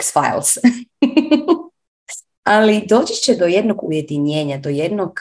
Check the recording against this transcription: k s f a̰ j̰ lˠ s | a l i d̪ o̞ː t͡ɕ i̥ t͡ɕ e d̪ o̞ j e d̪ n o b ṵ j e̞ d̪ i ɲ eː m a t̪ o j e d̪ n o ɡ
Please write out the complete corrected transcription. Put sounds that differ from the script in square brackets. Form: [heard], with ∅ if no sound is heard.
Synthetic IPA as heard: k s f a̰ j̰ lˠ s | a l i d̪ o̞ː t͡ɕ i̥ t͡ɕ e d̪ o̞ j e d̪ n o [ɡ] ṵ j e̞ d̪ i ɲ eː [ɲ] a [d̪] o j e d̪ n o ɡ